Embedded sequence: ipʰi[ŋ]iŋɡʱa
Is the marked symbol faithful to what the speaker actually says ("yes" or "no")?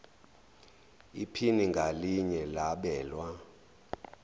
no